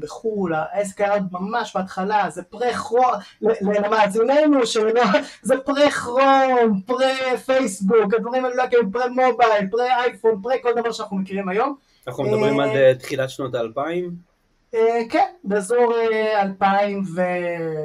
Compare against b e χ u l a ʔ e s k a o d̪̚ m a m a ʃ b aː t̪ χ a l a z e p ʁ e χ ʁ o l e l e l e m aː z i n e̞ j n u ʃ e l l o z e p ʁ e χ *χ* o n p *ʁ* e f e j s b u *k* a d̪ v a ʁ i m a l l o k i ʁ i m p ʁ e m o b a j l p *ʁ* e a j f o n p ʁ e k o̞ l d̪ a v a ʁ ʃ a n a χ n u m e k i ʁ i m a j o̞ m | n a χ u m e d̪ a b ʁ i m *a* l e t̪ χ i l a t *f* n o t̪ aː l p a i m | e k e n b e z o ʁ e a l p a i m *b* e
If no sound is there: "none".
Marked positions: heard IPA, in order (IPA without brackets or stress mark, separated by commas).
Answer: ʁ, ʁ, k, ʁ, a, ʃ, v